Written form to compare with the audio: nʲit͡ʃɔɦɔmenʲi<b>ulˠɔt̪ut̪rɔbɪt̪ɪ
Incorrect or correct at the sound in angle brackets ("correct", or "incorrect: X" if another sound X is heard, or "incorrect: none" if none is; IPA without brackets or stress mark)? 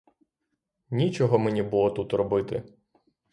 correct